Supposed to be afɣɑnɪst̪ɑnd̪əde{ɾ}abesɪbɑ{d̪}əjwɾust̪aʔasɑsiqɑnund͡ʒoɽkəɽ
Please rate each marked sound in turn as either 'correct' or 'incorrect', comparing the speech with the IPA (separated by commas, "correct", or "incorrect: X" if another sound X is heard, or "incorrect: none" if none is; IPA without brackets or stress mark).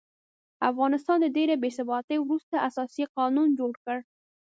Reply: correct, incorrect: t̪